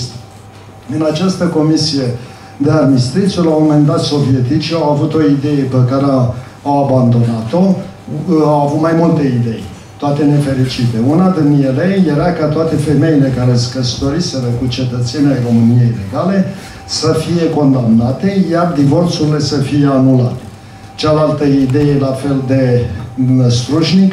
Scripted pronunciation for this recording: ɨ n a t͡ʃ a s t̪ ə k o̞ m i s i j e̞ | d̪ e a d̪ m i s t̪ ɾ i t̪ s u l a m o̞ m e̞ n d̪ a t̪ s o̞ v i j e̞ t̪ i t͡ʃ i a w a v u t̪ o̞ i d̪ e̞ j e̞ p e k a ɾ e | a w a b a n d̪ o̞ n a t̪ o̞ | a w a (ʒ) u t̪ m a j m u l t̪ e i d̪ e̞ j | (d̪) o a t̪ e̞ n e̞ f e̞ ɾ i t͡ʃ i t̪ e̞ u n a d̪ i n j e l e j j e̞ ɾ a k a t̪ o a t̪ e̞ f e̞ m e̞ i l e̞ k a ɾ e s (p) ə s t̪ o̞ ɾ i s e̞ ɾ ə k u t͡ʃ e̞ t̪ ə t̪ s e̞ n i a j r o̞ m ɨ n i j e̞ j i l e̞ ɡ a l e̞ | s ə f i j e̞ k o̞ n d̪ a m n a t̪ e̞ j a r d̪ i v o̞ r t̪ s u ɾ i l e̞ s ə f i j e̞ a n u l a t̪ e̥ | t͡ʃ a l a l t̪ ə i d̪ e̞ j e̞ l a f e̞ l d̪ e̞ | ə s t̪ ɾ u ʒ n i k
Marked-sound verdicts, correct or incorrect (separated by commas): incorrect, incorrect, incorrect